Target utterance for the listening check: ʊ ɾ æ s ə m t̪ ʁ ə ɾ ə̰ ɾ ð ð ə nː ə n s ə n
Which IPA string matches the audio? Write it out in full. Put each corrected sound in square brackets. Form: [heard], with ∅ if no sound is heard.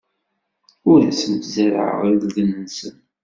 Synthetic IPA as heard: ʊ ɾ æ s ə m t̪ [z] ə ɾ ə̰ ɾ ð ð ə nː ə n s ə n